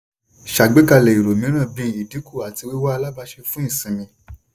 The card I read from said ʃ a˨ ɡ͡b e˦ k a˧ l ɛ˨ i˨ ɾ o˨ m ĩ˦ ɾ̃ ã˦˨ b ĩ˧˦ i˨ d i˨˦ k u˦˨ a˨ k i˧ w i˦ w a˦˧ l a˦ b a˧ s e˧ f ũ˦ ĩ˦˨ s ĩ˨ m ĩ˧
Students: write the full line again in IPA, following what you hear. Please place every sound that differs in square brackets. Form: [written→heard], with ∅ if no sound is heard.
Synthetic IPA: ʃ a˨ ɡ͡b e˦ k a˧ l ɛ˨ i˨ ɾ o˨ m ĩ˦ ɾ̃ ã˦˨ b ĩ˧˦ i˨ d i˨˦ k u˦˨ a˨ [k→t] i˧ w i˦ w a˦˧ l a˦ b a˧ [s→ʃ] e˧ f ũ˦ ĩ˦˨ s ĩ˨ m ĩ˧